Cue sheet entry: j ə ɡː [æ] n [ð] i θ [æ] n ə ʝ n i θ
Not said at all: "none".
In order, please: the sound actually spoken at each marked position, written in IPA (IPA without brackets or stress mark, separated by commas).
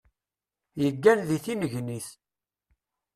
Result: æ, ð, i